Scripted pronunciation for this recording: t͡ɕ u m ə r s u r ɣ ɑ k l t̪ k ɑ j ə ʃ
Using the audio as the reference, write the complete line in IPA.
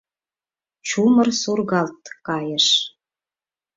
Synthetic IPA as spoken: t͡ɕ u m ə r s u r ɣ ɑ l t̪ k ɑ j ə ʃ